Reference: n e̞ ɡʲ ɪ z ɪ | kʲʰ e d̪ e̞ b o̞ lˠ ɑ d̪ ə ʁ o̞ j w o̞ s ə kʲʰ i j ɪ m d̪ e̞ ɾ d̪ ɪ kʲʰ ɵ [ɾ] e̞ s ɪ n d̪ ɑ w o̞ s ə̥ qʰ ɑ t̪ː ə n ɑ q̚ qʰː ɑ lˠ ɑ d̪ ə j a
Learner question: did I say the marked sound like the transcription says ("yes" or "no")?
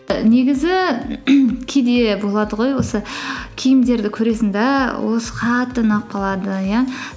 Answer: yes